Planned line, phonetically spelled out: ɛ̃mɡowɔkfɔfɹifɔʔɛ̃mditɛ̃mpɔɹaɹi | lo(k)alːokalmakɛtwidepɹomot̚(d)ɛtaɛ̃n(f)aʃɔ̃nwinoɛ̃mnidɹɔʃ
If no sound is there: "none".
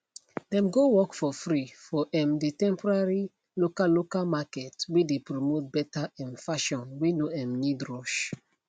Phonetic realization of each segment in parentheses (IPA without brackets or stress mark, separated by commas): k, b, f